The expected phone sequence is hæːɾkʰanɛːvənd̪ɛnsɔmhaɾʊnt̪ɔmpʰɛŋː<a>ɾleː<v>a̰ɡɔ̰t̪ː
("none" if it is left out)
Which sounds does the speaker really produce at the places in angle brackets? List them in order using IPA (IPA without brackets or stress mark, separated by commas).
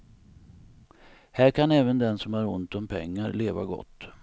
a, v